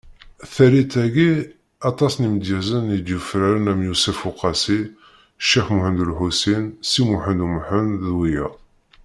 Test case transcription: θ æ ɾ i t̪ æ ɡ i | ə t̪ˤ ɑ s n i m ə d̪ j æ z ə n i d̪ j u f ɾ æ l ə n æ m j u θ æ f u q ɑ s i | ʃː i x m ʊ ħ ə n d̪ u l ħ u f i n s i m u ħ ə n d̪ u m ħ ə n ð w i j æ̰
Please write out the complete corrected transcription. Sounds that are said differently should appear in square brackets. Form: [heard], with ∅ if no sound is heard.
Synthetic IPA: θ æ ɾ i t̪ æ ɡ i | [ɑ] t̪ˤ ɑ s n i m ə d̪ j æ z ə n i d̪ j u f ɾ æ [ɾ] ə n æ m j u [s] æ f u q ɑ s i | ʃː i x m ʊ ħ ə n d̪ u l ħ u [s] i n s i m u ħ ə n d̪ u m ħ ə n ð w i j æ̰